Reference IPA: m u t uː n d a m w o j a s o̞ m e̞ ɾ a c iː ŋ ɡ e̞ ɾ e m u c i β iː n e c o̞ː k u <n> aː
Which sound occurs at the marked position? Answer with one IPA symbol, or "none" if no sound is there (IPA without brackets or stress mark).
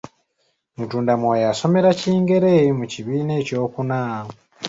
n